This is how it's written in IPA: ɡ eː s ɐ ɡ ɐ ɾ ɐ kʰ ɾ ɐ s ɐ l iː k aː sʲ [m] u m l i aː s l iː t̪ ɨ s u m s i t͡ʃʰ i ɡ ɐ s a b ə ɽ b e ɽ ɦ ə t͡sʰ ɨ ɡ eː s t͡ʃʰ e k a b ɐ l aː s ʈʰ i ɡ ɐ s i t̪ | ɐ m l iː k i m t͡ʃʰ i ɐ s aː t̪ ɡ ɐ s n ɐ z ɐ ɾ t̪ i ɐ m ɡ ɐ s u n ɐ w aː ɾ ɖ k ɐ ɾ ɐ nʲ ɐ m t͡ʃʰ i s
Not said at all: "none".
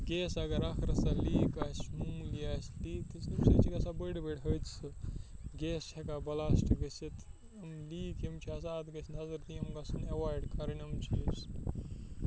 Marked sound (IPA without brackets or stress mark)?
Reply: m